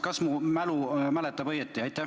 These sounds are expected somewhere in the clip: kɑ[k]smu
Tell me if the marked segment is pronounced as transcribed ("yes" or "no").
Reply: no